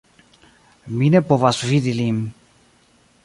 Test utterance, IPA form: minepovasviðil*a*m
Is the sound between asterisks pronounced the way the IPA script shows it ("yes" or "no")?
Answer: no